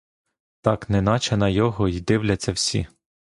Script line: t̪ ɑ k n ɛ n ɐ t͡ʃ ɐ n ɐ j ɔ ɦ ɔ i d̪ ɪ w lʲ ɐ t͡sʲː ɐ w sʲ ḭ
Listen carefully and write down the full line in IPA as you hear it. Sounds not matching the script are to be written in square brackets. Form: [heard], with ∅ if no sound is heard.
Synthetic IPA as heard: t̪ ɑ k n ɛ n [ɑ] t͡ʃ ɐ n ɐ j ɔ ɦ ɔ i d̪ ɪ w lʲ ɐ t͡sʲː ɐ w sʲ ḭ

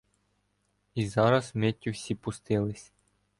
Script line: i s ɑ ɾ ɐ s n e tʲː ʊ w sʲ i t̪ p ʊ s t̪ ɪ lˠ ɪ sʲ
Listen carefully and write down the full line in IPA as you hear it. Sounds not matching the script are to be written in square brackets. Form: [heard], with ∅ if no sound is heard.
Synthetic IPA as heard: i [z] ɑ ɾ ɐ s [m] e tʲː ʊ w sʲ i [∅] p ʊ s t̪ ɪ lˠ ɪ sʲ

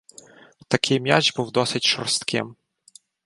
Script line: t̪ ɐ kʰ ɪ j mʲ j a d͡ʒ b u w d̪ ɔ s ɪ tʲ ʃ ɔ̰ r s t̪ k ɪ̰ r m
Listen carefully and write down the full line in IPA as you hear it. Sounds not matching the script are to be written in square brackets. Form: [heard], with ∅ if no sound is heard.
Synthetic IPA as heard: t̪ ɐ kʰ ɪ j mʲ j a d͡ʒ b u w d̪ ɔ s ɪ tʲ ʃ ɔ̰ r s t̪ k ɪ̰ [∅] m

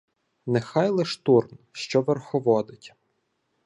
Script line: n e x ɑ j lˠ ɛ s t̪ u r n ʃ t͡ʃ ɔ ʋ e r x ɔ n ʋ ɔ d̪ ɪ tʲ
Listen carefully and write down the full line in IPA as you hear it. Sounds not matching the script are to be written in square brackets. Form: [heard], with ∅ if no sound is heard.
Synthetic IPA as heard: n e x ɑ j lˠ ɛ [ʃ] t̪ u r n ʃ t͡ʃ ɔ ʋ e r x ɔ [∅] ʋ ɔ d̪ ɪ tʲ

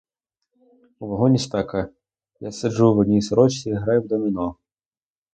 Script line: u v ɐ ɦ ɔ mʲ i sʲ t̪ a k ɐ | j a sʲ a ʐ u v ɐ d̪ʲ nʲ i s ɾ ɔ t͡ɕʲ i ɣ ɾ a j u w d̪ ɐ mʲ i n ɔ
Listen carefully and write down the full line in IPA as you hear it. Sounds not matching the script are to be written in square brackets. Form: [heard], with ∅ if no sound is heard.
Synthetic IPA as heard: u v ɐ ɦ ɔ [nʲ] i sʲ t̪ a k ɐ | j a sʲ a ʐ u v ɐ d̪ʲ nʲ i s ɾ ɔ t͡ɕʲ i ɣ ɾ a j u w d̪ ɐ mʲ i n ɔ

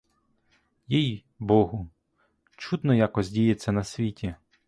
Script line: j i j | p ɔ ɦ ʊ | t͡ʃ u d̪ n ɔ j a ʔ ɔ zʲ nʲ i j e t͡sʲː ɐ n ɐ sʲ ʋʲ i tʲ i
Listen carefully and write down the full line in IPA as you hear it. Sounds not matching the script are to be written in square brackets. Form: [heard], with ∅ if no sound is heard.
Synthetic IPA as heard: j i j | [b] ɔ ɦ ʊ | t͡ʃ u d̪ n ɔ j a [k] ɔ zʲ [dʲ] i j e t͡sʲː ɐ n ɐ sʲ ʋʲ i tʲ i

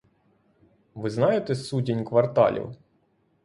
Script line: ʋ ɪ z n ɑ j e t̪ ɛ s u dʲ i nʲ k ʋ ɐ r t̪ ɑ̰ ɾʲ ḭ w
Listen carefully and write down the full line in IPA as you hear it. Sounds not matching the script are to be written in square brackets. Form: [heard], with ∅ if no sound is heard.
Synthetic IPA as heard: ʋ ɪ z n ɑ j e t̪ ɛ s u dʲ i nʲ k ʋ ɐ r t̪ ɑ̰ [lʲ] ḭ w

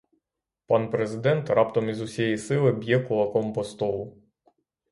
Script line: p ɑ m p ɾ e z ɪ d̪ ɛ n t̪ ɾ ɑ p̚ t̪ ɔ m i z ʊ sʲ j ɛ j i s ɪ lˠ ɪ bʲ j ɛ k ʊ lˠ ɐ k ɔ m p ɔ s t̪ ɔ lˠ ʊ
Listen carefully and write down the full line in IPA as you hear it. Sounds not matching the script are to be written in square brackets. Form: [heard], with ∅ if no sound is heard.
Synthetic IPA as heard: p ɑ [n] p ɾ e z ɪ d̪ ɛ n t̪ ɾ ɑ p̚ t̪ ɔ m i z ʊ sʲ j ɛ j i s ɪ lˠ ɪ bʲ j ɛ k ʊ lˠ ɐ k ɔ m p ɔ s t̪ ɔ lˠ ʊ

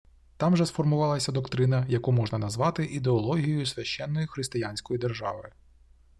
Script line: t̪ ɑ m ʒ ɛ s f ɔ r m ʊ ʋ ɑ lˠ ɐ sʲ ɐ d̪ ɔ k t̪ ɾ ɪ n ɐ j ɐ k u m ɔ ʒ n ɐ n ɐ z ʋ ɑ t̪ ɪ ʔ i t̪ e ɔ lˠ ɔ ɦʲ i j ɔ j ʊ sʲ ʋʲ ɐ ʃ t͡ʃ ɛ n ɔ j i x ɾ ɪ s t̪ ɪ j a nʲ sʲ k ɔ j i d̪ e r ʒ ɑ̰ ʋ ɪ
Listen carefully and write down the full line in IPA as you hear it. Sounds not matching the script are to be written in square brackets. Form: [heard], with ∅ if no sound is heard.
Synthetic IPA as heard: t̪ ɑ m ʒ ɛ s f ɔ r m ʊ ʋ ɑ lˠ ɐ sʲ ɐ d̪ ɔ k t̪ ɾ ɪ n ɐ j ɐ k u m ɔ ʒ n ɐ n ɐ z ʋ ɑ t̪ ɪ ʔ i [d̪] e ɔ lˠ ɔ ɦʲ i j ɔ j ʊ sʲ ʋʲ ɐ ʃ t͡ʃ ɛ [nː] ɔ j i x ɾ ɪ s t̪ ɪ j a nʲ sʲ k ɔ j i d̪ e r ʒ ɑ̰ ʋ ɪ

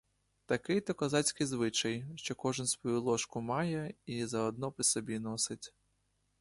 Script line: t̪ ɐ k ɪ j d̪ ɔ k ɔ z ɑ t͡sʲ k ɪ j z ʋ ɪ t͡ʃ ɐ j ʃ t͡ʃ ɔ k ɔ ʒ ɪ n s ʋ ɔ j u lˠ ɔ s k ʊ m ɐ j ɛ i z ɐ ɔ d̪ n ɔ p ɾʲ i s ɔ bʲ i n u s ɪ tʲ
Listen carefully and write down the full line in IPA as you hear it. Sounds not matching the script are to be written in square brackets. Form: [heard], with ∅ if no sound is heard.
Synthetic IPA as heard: t̪ ɐ k ɪ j [t̪] ɔ k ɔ z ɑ t͡sʲ k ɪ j z ʋ ɪ t͡ʃ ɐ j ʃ t͡ʃ ɔ k ɔ ʒ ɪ n s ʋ ɔ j u lˠ ɔ [ʃ] k ʊ m [ɑ] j ɛ i z ɐ ɔ d̪ n ɔ p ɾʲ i s ɔ bʲ i n [ɔ] s ɪ tʲ

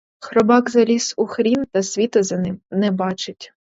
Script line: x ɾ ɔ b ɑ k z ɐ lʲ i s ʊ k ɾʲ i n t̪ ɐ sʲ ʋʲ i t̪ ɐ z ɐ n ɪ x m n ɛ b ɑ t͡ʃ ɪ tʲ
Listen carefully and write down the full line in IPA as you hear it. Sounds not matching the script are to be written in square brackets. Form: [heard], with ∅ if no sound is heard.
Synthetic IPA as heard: x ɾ ɔ b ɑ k z ɐ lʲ i s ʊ [x] ɾʲ i n t̪ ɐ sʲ ʋʲ i t̪ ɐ z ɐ n ɪ [∅] m n ɛ b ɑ t͡ʃ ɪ tʲ

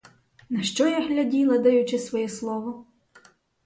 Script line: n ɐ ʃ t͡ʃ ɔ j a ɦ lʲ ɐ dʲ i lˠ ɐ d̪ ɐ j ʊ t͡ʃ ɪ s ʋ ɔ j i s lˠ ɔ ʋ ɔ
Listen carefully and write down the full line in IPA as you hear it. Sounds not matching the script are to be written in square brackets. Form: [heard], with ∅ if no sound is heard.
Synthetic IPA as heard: n ɐ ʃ t͡ʃ ɔ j a ɦ lʲ ɐ dʲ i lˠ ɐ d̪ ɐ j ʊ t͡ʃ ɪ s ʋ ɔ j [ɛ] s lˠ ɔ ʋ ɔ

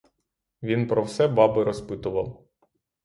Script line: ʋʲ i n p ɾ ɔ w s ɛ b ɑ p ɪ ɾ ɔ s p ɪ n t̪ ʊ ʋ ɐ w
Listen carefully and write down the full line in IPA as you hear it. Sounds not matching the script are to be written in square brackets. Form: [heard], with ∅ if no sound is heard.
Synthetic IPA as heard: ʋʲ i n p ɾ ɔ w s ɛ b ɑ [b] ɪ ɾ ɔ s p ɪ [∅] t̪ ʊ ʋ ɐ w

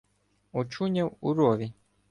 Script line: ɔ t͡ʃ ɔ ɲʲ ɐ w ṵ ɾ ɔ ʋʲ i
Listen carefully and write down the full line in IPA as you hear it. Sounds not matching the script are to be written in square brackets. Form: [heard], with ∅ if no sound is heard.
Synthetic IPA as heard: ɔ t͡ʃ [u] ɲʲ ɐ w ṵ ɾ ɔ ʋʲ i

